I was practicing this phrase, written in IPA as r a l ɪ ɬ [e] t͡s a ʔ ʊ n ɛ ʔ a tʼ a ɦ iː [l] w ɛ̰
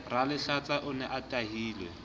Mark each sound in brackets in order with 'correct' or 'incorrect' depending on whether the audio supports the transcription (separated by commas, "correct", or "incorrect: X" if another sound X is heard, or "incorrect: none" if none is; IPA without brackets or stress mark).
incorrect: a, correct